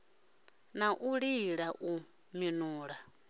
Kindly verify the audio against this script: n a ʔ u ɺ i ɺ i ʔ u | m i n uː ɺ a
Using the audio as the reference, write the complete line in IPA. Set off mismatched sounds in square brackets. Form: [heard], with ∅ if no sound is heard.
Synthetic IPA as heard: n a ʔ u ɺ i ɺ [a] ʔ u | m i n uː ɺ a